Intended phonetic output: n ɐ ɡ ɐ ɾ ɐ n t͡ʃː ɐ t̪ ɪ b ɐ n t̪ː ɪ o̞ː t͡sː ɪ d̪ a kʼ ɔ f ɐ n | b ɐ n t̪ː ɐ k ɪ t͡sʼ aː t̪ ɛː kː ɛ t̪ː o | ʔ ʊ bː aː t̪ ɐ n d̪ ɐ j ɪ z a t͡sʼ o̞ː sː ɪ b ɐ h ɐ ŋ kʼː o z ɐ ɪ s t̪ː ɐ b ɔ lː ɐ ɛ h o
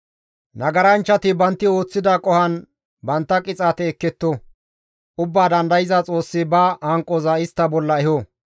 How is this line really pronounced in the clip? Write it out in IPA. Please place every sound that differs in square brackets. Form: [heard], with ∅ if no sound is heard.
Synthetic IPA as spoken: n ɐ ɡ ɐ ɾ ɐ n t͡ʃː ɐ t̪ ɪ b ɐ n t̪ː ɪ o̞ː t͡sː ɪ d̪ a kʼ ɔ [h] ɐ n | b ɐ n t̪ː ɐ [kʼ] ɪ t͡sʼ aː t̪ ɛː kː ɛ t̪ː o | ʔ ʊ bː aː [d̪] ɐ n d̪ ɐ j ɪ z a t͡sʼ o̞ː sː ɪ b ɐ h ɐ ŋ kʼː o z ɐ ɪ s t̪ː ɐ b ɔ lː ɐ ɛ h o